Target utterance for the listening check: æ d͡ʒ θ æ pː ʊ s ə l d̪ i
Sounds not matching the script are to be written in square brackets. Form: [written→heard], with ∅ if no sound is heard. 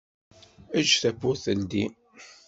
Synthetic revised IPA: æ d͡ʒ θ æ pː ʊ [s→θ] ə l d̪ i